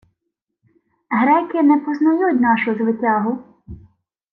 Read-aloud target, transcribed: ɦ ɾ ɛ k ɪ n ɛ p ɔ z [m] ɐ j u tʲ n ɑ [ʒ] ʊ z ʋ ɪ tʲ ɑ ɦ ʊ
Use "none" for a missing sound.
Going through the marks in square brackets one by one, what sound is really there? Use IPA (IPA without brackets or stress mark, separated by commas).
n, ʃ